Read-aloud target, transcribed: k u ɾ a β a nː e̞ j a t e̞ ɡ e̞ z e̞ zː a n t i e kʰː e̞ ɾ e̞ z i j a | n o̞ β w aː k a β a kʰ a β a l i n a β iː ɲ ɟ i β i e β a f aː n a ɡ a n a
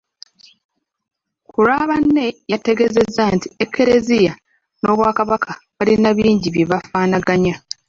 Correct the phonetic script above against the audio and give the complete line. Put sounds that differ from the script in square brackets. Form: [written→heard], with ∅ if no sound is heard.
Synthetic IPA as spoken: k u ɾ a β a nː e̞ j a t e̞ ɡ e̞ z e̞ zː a n t i e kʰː e̞ ɾ e̞ z i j a | n o̞ β w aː k a β a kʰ a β a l i n a β iː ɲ ɟ i β [i→j] e β a f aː n a ɡ a [n→ɲ] a